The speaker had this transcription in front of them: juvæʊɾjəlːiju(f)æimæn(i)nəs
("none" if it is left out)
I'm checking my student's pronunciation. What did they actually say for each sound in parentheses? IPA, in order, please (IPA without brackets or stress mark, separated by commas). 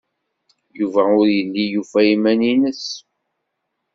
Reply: f, i